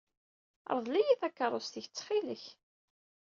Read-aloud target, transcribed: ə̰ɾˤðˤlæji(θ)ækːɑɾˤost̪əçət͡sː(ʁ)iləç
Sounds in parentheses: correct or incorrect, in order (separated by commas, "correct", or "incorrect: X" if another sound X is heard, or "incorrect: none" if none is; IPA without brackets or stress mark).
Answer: correct, incorrect: χ